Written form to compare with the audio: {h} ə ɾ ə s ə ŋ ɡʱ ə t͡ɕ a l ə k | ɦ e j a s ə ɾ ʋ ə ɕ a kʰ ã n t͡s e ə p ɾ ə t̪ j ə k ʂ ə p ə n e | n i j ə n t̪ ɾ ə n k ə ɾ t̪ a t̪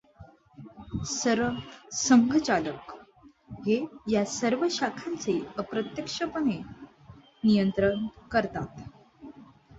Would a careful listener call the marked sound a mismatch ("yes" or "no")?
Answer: yes